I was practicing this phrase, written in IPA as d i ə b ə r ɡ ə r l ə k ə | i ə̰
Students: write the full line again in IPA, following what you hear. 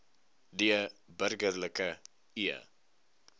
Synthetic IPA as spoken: d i ə b ə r ɡ ə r l ə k ə | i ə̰